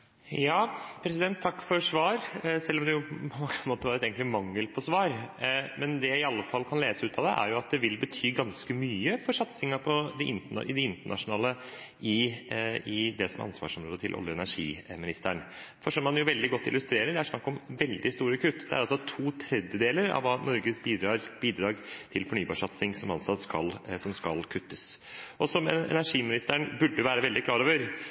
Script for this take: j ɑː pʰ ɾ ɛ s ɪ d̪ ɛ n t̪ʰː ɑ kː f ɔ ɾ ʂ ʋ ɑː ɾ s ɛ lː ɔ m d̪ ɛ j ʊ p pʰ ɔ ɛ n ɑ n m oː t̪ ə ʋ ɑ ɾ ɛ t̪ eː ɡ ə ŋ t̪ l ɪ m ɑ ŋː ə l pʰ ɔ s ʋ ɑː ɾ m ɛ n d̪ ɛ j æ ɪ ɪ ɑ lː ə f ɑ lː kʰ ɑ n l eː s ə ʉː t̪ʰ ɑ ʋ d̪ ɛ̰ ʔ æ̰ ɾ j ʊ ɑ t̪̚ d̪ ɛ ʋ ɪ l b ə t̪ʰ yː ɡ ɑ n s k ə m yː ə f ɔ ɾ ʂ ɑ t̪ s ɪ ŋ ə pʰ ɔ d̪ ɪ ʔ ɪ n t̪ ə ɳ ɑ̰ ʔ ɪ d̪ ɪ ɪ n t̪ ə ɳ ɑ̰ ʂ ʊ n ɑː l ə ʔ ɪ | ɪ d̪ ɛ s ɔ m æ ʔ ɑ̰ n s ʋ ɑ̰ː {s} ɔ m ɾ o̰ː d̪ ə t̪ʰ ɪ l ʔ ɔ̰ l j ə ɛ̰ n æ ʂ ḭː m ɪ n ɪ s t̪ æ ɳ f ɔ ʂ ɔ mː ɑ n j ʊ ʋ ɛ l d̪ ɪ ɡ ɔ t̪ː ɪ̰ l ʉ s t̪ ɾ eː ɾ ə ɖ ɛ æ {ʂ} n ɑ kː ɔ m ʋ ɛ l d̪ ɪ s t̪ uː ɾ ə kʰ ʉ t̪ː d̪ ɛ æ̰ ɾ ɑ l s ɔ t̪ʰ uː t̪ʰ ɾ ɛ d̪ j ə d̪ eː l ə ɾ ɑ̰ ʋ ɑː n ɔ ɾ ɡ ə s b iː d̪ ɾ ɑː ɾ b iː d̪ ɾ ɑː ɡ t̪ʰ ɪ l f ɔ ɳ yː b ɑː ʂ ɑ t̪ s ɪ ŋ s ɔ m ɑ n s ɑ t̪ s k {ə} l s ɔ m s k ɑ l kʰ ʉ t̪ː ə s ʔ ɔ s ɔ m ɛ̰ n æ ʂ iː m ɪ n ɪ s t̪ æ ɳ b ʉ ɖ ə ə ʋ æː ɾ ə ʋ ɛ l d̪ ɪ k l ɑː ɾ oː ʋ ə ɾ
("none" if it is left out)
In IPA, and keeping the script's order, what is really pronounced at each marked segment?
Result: ʂ, ʂ, ɑ

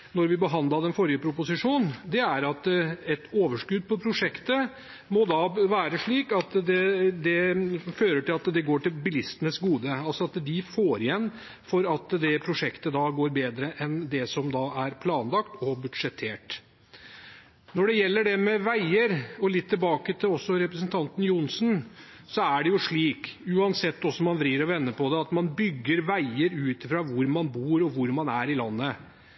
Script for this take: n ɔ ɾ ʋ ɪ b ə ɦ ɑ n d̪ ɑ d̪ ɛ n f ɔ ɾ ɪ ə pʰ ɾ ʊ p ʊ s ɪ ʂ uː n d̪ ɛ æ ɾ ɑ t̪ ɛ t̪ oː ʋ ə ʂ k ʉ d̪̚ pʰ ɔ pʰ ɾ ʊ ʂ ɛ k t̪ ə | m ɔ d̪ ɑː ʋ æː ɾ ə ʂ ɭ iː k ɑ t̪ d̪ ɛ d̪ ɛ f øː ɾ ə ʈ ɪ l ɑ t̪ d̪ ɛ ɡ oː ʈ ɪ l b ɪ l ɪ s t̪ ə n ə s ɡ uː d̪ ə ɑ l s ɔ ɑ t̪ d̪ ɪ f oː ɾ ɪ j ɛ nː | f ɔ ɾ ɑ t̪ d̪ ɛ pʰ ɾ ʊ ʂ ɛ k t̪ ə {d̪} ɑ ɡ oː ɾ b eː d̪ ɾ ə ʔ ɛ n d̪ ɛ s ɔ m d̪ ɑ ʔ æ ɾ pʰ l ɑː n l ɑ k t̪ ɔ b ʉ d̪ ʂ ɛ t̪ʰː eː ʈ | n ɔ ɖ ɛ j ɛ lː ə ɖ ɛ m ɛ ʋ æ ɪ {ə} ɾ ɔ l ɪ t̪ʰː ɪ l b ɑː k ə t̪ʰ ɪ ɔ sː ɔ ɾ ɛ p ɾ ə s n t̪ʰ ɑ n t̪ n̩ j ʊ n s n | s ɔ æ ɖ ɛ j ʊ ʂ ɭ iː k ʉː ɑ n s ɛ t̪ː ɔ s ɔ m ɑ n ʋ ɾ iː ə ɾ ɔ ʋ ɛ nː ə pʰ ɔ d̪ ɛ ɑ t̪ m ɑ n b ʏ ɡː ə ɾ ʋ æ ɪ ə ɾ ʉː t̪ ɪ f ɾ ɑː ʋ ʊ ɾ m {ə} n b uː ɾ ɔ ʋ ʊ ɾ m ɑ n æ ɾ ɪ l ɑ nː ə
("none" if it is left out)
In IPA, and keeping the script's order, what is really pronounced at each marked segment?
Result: d̪, ə, ɑ

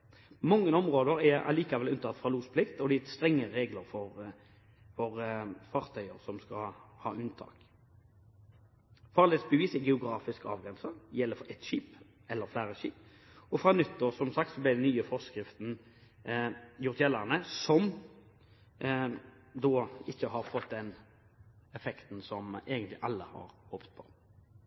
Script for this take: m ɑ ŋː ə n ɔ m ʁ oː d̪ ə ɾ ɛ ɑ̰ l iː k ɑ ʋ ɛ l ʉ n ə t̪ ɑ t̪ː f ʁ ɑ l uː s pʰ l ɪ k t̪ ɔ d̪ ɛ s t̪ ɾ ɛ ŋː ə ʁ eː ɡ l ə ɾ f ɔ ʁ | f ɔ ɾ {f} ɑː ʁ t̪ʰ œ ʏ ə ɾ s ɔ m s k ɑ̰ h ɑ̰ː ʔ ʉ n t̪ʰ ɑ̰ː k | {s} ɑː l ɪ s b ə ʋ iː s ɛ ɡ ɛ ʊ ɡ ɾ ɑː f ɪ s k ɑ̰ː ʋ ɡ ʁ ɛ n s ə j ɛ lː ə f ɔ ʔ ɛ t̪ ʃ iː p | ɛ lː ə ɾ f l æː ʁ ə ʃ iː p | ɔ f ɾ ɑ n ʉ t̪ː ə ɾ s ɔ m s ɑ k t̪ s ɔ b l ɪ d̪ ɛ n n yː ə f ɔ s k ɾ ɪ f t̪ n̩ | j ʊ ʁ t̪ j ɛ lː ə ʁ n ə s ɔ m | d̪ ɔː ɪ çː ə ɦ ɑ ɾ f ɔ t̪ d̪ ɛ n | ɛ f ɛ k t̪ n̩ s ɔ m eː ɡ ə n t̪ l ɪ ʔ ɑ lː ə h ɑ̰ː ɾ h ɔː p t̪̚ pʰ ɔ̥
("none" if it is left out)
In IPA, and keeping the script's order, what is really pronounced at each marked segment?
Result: f, f

